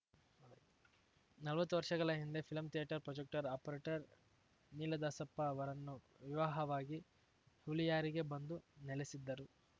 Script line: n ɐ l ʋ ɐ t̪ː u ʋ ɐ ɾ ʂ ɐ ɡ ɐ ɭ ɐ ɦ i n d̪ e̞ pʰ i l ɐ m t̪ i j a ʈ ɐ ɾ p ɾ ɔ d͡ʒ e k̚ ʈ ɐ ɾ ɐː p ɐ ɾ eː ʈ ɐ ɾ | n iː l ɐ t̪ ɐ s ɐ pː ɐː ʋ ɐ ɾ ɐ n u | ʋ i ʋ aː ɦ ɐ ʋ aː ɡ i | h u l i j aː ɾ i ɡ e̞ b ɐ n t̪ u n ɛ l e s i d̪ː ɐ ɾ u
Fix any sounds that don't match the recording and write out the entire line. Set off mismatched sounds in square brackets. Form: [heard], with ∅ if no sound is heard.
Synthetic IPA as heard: n ɐ l ʋ ɐ t̪ː u ʋ ɐ ɾ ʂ ɐ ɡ ɐ ɭ ɐ ɦ i n d̪ e̞ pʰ i l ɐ m t̪ i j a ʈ ɐ ɾ p ɾ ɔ d͡ʒ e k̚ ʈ ɐ ɾ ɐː p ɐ ɾ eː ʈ ɐ ɾ | n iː l ɐ [d̪] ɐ s ɐ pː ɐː ʋ ɐ ɾ ɐ [nː] u | ʋ i ʋ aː ɦ ɐ ʋ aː ɡ i | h u l i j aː ɾ i ɡ e̞ b ɐ n [d̪] u n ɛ l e s i d̪ː ɐ ɾ u